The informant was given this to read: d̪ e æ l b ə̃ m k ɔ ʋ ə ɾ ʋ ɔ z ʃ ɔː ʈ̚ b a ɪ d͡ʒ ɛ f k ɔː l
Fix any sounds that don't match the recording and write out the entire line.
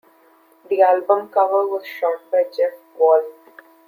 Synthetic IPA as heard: d̪ i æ l b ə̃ m k ʌ ʋ ə ɾ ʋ ɔ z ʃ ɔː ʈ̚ b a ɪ d͡ʒ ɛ f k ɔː l